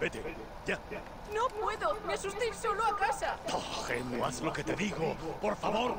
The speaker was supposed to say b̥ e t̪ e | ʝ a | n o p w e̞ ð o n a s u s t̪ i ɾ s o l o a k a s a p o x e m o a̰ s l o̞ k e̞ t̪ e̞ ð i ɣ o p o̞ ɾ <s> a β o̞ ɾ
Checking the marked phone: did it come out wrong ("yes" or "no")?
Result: yes